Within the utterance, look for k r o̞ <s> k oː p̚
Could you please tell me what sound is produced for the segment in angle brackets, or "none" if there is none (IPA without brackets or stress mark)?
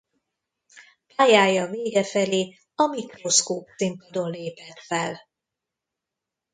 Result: s